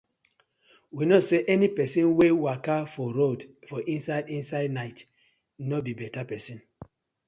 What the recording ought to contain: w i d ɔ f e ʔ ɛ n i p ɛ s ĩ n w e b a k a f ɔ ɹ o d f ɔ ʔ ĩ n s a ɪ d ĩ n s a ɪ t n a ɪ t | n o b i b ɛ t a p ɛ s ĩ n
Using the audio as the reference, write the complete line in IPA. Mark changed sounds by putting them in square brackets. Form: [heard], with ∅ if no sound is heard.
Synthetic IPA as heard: w i [n] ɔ [s] e ʔ ɛ n i p ɛ s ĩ n w e [w] a k a f ɔ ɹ o d f ɔ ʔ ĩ n s a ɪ d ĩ n s a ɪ [d] n a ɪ t | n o b i b ɛ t a p ɛ s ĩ n